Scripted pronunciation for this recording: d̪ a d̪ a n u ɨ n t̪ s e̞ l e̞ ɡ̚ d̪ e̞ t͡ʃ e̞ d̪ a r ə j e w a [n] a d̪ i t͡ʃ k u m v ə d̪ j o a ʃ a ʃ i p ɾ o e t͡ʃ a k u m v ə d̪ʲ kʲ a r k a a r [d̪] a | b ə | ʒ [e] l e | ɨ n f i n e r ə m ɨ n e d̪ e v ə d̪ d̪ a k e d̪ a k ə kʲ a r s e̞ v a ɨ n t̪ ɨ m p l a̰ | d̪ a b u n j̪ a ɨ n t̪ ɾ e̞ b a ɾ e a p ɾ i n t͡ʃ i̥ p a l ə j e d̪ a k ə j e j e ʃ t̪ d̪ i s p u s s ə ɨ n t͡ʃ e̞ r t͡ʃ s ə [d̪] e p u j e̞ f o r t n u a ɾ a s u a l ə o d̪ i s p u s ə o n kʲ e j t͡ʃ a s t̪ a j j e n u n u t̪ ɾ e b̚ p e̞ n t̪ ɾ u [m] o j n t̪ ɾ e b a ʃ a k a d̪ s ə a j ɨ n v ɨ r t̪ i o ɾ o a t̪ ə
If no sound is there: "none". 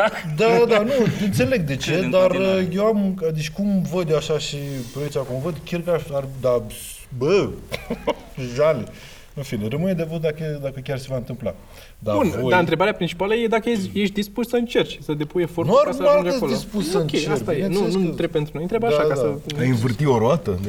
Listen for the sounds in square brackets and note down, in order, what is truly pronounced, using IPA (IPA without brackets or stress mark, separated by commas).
m, d̪, a, d̪, n